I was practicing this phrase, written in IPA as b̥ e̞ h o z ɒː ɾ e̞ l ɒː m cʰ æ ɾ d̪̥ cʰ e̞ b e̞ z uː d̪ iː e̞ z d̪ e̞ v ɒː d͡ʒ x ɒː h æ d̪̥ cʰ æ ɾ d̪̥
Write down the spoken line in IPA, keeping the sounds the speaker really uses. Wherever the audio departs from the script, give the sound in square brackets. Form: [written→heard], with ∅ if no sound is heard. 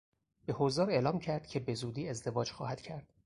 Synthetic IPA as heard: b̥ e̞ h o z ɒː ɾ e̞ l ɒː m cʰ æ ɾ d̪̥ cʰ e̞ b e̞ z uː d̪ iː e̞ z d̪ e̞ v ɒː d͡ʒ x ɒː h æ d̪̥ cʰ æ ɾ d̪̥